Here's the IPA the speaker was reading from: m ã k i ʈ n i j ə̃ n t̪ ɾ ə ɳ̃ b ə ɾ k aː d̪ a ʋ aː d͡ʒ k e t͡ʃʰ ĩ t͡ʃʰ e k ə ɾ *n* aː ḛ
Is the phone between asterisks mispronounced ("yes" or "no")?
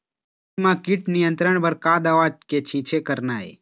no